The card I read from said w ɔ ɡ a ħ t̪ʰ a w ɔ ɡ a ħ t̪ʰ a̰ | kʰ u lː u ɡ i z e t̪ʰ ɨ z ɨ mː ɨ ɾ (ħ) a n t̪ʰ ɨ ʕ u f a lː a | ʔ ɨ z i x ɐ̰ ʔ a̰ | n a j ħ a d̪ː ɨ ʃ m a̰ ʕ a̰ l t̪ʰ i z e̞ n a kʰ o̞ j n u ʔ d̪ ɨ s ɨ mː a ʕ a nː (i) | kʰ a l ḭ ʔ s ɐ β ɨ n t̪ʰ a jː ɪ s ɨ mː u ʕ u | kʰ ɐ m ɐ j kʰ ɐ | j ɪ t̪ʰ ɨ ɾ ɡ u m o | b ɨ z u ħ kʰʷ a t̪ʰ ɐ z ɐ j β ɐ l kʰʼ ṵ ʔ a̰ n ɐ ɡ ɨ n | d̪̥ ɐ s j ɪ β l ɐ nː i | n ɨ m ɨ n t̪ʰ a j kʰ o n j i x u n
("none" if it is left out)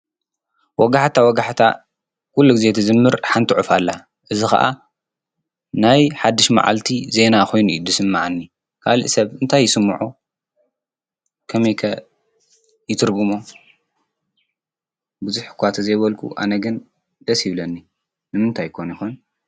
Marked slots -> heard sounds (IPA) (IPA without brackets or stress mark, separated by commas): ħ, i